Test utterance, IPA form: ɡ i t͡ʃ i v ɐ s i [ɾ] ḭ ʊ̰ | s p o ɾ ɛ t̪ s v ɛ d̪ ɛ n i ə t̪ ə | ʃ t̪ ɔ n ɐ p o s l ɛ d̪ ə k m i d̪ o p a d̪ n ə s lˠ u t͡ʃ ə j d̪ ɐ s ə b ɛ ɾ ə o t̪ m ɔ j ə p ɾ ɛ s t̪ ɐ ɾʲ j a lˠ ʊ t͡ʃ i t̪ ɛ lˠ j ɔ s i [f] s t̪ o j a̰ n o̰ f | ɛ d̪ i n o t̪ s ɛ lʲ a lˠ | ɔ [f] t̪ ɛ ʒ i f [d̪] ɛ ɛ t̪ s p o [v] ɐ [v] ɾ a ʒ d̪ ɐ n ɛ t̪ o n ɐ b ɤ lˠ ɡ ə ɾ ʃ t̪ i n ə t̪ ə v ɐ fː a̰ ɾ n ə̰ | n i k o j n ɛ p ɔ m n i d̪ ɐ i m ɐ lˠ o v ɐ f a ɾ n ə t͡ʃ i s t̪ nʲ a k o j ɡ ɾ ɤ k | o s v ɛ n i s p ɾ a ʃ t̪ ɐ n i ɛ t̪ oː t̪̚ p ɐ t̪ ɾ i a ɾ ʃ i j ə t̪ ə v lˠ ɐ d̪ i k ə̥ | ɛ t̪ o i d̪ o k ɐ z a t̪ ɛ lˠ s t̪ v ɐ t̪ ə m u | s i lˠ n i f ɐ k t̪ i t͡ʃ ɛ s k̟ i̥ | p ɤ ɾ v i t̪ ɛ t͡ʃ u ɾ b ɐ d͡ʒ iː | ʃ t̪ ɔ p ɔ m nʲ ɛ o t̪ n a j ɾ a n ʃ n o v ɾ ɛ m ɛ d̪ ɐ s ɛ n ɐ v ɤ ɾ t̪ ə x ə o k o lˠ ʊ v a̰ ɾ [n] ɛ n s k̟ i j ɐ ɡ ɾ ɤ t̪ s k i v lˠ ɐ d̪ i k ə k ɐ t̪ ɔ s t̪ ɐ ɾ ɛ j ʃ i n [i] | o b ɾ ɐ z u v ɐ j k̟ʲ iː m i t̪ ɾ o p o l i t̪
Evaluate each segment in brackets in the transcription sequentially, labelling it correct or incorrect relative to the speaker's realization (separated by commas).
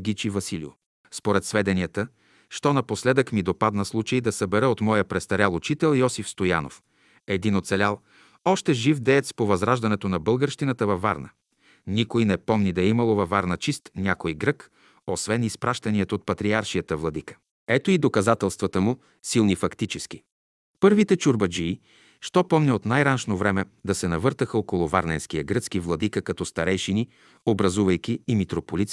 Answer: incorrect, correct, incorrect, correct, correct, incorrect, correct, correct